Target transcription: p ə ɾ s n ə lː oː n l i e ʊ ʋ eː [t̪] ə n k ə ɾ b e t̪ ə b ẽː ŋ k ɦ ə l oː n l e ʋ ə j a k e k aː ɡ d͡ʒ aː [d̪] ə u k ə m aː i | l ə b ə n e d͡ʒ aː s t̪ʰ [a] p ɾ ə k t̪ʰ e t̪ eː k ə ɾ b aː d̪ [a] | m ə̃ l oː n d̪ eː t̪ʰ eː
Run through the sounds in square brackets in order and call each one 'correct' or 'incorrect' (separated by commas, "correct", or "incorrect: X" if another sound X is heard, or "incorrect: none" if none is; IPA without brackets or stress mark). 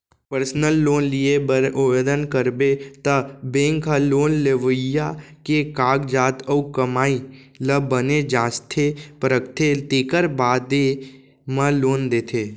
incorrect: d̪, incorrect: t̪, incorrect: e, incorrect: e